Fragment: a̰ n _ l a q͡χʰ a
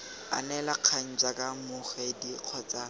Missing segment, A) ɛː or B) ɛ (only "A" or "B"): B